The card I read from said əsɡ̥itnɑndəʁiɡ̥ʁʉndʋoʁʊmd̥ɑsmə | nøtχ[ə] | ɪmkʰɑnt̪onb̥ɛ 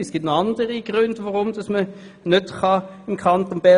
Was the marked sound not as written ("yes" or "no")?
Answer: yes